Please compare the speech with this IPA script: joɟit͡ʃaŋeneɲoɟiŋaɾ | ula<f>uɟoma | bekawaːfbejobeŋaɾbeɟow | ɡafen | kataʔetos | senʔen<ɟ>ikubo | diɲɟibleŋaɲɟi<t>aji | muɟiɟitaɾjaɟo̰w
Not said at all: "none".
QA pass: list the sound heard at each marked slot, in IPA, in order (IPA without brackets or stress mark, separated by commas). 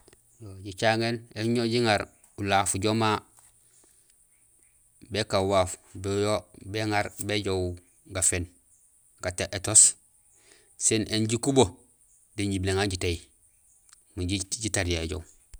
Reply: f, ɟ, t